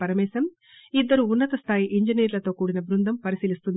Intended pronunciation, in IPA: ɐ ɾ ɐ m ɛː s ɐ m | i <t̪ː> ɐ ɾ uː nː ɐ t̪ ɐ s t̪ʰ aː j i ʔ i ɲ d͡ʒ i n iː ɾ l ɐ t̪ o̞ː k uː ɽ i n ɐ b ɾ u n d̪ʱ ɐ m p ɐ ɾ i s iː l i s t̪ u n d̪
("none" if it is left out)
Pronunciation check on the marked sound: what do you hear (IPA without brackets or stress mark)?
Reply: d̪ː